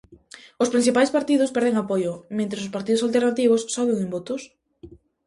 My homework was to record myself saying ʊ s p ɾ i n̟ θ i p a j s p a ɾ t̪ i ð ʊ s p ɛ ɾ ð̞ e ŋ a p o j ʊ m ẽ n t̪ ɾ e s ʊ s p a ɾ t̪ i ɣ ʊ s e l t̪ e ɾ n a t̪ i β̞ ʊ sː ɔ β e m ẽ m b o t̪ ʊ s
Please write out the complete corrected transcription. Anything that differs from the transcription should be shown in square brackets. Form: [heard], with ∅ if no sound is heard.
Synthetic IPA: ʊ s p ɾ i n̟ θ i p a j s p a ɾ t̪ i ð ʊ s p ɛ ɾ ð̞ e ŋ a p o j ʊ m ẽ n t̪ ɾ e s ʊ s p a ɾ t̪ i [ð] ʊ s [a] l t̪ e ɾ n a t̪ i β̞ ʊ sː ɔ β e [ŋ] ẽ m b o t̪ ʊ s